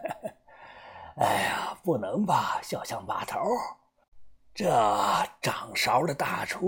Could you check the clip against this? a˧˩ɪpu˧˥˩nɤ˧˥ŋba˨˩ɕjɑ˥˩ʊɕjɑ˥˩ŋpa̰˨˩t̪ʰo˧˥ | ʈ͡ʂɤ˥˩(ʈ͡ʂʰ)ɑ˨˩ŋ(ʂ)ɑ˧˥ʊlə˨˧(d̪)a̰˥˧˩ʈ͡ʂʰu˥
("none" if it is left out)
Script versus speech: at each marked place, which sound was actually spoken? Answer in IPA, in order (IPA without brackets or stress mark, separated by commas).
ʈ͡ʂ, ʂ, t̪